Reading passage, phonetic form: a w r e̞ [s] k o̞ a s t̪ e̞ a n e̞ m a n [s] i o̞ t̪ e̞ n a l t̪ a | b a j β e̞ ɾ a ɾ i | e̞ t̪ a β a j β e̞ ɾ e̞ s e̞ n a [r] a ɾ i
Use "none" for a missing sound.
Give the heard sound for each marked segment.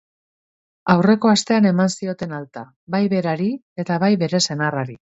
none, s, r

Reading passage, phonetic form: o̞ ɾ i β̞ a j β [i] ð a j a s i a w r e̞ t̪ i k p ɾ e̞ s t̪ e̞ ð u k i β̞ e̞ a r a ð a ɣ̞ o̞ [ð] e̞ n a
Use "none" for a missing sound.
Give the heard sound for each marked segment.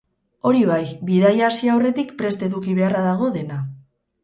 i, ð

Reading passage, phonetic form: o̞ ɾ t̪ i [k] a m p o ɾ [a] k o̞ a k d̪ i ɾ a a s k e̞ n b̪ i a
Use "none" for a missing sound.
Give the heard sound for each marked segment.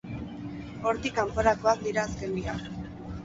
k, a

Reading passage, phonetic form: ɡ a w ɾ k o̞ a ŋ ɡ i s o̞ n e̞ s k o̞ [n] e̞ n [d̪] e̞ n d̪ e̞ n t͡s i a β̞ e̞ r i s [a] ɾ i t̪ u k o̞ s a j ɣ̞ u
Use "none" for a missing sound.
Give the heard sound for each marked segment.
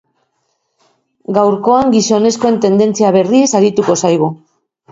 none, t̪, a

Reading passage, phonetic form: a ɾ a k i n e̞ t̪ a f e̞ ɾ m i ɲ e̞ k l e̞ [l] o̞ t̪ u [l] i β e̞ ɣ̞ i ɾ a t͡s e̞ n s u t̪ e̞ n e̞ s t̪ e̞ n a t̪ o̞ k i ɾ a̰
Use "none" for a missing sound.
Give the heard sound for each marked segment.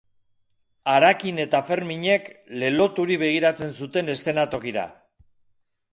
l, ɾ

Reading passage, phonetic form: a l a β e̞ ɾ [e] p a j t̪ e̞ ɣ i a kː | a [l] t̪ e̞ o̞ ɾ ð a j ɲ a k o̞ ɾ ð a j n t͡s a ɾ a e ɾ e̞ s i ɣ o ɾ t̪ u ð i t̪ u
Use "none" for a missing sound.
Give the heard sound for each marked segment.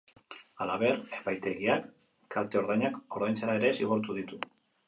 e, l

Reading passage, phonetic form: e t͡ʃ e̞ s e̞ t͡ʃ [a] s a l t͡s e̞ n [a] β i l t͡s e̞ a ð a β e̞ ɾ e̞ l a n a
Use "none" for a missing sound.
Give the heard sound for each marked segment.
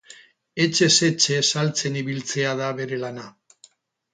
e, i

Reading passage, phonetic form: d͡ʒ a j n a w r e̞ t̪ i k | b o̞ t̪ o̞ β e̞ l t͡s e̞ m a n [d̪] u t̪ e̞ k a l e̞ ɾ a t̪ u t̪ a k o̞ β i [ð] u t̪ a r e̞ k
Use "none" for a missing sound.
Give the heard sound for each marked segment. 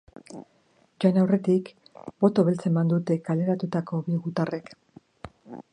d̪, ɣ

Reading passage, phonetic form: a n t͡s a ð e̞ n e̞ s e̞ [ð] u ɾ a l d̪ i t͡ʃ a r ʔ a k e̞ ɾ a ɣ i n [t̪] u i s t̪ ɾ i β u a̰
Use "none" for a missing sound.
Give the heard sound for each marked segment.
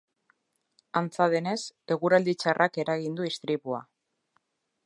ɣ, d̪

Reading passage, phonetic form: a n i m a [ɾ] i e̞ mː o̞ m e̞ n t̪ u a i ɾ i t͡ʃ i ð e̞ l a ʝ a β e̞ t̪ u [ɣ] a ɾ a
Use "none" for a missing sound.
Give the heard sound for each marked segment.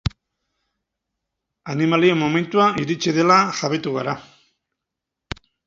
l, ɣ

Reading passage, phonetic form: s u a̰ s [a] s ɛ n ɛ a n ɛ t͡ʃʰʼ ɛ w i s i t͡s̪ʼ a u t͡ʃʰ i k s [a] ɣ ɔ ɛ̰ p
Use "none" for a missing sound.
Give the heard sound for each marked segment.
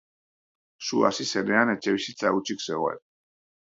i, ɛ

